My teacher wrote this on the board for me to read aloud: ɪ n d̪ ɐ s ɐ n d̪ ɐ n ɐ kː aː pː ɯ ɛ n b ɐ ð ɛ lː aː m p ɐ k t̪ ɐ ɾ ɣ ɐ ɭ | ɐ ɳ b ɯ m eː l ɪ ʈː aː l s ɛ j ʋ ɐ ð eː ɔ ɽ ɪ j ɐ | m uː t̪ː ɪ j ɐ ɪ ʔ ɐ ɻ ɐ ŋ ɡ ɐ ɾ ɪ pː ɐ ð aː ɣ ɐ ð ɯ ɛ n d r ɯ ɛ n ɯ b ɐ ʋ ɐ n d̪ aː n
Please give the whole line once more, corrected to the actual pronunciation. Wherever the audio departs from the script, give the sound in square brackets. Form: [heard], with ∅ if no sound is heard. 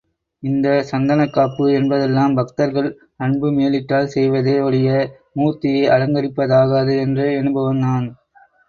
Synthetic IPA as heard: ɪ n d̪ ɐ s ɐ n d̪ ɐ n ɐ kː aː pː ɯ ɛ n b ɐ ð ɛ lː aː m [b] ɐ k t̪ ɐ ɾ ɣ ɐ ɭ | ɐ ɳ b ɯ m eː l ɪ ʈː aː l s ɛ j ʋ ɐ ð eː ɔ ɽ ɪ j ɐ | m uː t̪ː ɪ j ɐ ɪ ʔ ɐ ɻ ɐ ŋ ɡ ɐ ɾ ɪ pː ɐ ð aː ɣ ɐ ð ɯ ɛ n d r ɯ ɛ n ɯ b ɐ ʋ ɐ n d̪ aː n